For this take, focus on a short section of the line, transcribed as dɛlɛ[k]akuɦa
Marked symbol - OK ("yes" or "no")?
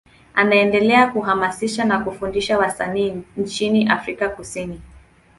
no